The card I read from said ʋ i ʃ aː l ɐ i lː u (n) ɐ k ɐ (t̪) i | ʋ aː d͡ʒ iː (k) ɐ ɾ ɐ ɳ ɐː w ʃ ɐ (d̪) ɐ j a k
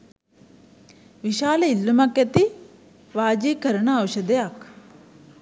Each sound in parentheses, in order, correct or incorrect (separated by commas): incorrect, correct, correct, correct